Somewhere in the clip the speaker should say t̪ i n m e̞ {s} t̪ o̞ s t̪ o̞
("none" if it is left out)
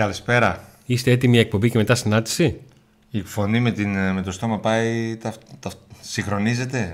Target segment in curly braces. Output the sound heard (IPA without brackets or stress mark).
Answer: none